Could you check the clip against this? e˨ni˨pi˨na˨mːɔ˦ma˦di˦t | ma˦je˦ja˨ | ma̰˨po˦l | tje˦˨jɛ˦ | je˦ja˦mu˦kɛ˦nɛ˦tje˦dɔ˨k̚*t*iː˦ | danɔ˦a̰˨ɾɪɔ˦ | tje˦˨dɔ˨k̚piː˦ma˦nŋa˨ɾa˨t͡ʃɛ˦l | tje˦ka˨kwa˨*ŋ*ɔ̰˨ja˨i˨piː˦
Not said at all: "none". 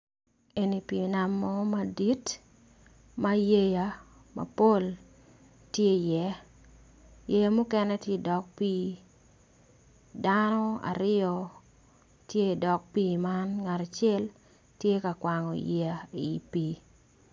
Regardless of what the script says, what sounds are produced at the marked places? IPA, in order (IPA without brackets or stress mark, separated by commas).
p, ŋ